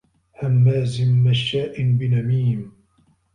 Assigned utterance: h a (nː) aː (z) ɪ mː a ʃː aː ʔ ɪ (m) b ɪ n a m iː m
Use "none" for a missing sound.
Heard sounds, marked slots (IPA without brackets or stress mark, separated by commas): mː, z, n